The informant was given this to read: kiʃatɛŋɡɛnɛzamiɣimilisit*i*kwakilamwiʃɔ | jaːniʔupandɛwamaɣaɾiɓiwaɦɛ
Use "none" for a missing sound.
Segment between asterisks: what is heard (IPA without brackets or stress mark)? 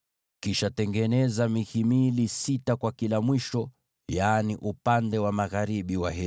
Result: a